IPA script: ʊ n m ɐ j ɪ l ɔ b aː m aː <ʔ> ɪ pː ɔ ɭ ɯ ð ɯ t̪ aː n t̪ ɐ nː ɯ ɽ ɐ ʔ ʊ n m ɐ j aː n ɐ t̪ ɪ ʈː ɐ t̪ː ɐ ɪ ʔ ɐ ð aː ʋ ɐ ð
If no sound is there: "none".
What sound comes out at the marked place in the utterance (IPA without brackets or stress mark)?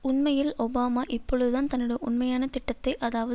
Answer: ʔ